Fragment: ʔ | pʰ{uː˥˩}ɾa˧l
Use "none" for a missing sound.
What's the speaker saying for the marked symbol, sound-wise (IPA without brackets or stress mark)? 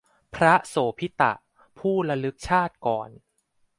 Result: uː˥˩